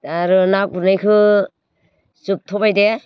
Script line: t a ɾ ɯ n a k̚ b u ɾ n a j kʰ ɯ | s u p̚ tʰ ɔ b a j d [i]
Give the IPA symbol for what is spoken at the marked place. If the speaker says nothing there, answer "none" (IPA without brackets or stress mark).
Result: e